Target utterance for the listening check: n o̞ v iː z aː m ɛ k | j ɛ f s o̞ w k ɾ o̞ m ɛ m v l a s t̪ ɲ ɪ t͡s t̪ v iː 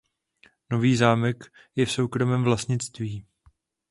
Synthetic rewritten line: n o̞ v iː z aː m ɛ k | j ɛ f s o̞ w k ɾ o̞ m ɛ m v l a s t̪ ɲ ɪ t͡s t̪ v iː